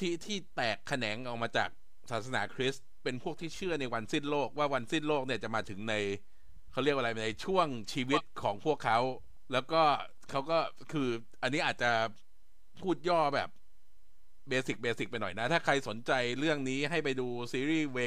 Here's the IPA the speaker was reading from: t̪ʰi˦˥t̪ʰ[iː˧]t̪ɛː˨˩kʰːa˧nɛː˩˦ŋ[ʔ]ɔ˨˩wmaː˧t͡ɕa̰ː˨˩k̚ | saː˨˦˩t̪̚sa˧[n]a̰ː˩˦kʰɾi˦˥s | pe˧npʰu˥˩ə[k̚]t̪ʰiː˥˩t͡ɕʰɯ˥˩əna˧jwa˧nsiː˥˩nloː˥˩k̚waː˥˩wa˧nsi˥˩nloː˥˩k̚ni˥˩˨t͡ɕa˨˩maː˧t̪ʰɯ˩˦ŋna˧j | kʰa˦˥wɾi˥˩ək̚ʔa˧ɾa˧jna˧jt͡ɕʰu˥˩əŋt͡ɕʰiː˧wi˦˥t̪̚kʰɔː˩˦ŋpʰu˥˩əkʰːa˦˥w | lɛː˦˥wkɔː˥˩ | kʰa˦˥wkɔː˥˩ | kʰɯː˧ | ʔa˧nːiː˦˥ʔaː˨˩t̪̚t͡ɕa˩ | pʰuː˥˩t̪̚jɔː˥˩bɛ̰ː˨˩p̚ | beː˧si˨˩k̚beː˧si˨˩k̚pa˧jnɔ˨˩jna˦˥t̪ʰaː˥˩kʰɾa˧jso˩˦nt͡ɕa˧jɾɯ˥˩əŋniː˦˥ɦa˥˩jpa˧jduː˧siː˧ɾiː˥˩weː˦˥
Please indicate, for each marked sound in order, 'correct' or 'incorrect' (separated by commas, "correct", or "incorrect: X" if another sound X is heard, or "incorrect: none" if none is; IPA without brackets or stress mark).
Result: incorrect: iː˥˩, correct, correct, correct